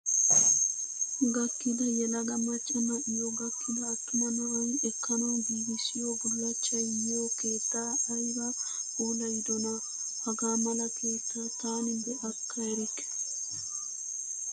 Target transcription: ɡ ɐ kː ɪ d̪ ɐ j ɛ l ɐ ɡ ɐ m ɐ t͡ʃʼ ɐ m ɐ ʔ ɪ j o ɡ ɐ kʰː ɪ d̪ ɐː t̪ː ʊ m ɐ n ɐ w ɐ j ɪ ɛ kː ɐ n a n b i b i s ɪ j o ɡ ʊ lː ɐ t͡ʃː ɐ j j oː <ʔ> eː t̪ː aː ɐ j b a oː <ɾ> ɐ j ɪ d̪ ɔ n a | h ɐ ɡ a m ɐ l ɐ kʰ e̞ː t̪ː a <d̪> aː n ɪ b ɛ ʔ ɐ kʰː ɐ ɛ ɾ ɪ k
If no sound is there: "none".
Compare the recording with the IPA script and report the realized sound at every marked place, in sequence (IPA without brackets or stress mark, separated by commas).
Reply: k, l, t̪